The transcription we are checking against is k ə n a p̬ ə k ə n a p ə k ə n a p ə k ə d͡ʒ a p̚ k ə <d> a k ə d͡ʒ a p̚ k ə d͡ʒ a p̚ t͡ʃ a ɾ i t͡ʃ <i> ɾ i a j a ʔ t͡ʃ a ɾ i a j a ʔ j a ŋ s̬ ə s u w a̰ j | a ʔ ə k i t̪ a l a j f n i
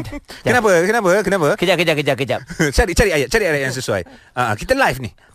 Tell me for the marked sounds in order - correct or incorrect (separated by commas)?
incorrect, incorrect